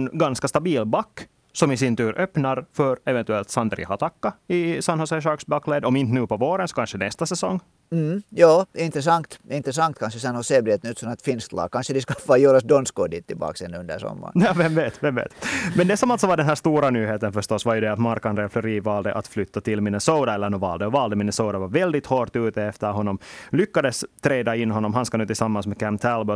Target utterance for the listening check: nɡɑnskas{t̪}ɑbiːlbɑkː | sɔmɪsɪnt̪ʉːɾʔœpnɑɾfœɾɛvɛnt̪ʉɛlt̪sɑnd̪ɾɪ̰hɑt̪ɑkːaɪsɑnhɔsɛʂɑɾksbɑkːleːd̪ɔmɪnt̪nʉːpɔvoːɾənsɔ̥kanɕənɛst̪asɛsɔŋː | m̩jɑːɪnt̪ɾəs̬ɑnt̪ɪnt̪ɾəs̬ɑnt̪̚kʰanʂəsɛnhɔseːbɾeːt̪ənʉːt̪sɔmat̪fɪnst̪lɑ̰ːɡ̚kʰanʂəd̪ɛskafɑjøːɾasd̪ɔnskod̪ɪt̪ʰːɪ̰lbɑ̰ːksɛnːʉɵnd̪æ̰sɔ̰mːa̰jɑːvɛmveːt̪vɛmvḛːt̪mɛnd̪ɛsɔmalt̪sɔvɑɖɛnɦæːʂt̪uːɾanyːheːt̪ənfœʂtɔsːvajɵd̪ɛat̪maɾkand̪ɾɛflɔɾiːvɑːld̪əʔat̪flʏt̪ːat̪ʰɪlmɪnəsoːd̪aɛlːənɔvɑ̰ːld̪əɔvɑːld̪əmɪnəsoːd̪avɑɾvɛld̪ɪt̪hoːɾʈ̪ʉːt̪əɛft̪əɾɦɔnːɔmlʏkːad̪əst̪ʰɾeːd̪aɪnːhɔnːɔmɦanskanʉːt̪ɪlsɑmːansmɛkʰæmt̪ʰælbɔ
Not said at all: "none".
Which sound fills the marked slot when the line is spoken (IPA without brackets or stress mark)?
t̪